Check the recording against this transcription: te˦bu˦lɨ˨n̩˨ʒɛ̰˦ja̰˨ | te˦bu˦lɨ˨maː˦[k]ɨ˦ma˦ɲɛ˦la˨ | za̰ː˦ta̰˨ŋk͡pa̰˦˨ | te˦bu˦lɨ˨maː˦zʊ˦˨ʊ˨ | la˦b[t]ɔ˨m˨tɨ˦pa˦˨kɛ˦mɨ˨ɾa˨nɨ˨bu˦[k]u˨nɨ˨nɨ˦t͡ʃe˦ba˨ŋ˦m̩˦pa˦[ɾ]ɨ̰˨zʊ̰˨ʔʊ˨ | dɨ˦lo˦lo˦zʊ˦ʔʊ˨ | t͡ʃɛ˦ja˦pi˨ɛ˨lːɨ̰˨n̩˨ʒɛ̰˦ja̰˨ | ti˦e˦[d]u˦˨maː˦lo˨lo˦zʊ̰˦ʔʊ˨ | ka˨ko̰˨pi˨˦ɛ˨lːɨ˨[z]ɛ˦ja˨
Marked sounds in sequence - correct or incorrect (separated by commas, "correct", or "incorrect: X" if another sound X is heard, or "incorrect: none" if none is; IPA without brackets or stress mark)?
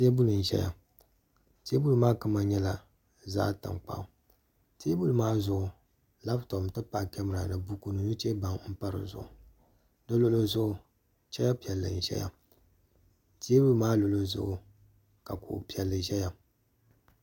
correct, correct, correct, correct, incorrect: b, incorrect: ʒ